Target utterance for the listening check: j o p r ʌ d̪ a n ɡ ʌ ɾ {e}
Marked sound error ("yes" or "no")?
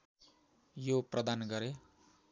no